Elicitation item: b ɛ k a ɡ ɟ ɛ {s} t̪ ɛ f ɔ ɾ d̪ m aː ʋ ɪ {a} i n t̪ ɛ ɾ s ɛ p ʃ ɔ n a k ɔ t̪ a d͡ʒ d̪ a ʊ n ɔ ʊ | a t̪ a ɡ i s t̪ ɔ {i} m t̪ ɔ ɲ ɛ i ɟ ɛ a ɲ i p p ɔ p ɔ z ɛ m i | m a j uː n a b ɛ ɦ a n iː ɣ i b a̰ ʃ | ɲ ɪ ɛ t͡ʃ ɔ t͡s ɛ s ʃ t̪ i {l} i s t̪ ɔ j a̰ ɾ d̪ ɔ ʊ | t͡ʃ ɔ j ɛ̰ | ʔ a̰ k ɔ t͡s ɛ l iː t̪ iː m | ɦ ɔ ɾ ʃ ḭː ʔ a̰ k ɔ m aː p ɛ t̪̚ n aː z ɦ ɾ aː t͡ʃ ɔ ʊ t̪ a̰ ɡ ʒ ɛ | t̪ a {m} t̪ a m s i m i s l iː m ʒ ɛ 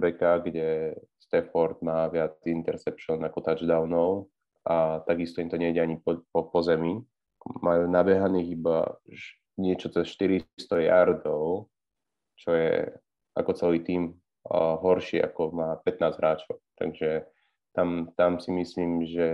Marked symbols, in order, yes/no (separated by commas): yes, yes, yes, no, yes